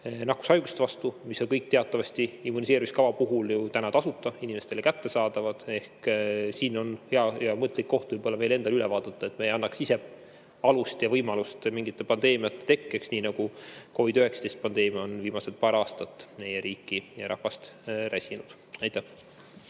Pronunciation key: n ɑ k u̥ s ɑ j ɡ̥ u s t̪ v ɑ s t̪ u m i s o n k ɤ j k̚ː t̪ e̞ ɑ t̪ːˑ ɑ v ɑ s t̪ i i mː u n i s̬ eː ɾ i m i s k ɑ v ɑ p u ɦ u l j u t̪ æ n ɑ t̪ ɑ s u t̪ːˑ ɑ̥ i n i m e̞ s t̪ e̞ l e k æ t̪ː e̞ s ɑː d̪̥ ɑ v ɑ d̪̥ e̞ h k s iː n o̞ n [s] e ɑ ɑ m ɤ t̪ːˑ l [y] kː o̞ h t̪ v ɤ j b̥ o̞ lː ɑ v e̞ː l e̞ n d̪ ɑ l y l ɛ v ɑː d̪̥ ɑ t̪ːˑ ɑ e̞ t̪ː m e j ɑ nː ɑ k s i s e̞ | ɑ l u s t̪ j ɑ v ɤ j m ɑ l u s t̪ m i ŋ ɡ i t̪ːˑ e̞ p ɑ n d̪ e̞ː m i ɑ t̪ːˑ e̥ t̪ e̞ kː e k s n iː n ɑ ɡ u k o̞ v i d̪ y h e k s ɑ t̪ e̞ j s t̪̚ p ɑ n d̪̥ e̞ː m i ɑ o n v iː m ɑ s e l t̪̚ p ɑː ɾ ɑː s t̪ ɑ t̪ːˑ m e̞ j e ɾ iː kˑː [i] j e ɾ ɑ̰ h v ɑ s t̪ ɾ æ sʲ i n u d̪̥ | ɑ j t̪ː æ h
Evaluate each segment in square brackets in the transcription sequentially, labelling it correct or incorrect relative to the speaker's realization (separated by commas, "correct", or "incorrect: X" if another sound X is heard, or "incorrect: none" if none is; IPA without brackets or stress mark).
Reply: incorrect: h, incorrect: i, correct